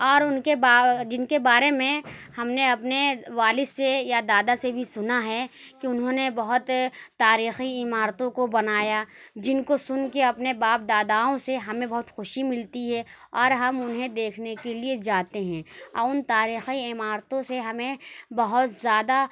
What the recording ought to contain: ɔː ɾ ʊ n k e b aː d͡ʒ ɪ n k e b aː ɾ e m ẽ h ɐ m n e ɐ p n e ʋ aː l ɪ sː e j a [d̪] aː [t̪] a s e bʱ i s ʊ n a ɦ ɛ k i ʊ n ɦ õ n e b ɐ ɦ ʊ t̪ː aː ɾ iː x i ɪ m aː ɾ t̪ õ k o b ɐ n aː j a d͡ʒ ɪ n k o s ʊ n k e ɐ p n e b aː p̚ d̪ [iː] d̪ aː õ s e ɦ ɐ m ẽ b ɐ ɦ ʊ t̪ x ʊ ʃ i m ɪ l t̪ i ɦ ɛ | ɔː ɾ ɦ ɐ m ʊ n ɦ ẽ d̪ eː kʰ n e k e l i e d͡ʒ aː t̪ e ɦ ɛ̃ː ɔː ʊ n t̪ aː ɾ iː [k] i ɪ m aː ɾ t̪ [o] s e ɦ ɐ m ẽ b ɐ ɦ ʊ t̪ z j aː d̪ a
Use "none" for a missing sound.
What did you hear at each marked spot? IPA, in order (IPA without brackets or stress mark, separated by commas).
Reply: d̪, d̪, aː, x, õ